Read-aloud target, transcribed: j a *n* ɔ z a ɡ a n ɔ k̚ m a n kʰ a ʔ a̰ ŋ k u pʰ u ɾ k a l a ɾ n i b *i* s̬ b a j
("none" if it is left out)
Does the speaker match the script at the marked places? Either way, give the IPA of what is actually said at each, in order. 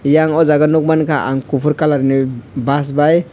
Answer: ŋ, a

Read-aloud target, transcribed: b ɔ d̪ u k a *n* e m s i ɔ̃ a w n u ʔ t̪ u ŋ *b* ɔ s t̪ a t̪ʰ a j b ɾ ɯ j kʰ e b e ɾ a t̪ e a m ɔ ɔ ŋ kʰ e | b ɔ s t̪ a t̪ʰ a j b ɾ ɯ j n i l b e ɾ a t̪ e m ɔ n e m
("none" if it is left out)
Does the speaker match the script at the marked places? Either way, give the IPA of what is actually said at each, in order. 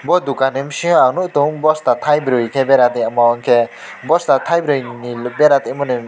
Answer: n, b

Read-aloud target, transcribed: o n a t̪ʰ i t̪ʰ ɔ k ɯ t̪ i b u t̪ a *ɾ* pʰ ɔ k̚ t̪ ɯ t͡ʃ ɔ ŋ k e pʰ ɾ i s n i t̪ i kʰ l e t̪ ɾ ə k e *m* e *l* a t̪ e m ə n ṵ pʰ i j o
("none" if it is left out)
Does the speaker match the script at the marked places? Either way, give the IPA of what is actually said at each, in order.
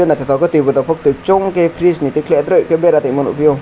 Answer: none, b, ɾ

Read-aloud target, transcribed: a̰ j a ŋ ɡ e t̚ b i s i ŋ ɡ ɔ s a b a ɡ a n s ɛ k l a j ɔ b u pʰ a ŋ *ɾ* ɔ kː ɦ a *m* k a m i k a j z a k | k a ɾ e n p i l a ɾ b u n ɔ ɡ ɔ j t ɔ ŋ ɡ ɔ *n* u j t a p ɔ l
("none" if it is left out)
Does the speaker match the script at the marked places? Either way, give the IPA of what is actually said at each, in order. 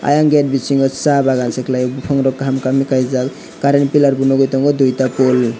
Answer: ɾ, m, d

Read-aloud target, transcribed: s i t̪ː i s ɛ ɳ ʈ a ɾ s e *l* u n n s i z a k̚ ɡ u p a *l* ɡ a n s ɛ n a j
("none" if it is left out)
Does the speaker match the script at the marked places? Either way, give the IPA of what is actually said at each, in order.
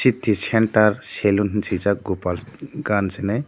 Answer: l, l

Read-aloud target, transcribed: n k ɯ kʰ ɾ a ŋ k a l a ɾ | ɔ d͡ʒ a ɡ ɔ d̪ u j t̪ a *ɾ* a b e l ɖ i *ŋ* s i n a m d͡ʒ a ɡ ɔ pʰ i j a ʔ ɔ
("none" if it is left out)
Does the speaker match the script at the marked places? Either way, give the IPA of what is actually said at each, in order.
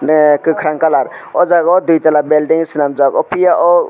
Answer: l, ŋ

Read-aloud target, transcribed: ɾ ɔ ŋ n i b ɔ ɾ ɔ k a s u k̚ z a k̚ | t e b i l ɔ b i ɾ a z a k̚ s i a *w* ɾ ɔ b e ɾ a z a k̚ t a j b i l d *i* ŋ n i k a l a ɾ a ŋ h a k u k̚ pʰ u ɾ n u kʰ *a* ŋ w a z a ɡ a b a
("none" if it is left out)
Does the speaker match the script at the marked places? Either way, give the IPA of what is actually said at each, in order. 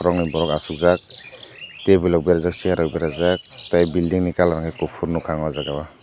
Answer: none, i, a

